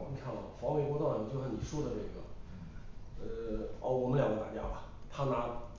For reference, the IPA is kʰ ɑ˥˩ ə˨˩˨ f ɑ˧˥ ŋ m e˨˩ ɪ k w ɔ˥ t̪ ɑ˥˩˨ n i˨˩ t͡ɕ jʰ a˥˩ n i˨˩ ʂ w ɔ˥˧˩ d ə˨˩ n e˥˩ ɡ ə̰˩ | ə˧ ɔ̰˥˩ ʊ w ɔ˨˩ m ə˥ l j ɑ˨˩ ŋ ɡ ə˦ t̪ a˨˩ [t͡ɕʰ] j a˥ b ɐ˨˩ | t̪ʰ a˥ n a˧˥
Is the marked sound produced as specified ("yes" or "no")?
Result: no